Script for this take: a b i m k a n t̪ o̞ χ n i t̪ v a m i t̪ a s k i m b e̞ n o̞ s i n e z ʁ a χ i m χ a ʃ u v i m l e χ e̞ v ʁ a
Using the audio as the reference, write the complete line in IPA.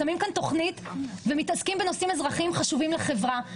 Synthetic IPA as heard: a m i m k a n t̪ o̞ χ n i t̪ v e m i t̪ a s k i m b e̞ n o̞ s i m e z ʁ a χ i m χ a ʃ u v i m l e χ e̞ v ʁ a